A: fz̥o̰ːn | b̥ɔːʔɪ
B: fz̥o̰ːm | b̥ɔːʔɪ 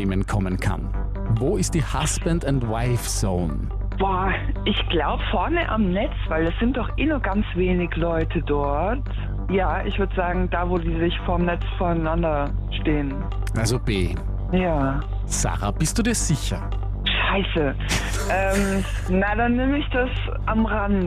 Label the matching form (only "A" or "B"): A